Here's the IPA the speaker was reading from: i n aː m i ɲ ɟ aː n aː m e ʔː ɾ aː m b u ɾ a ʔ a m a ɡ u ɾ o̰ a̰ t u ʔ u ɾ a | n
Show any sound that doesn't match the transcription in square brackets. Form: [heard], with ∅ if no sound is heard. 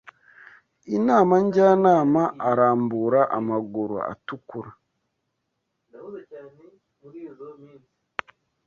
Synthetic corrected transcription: i n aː m [a] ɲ ɟ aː n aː m [a] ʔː ɾ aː m b u ɾ a ʔ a m a ɡ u ɾ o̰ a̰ t u [k] u ɾ a | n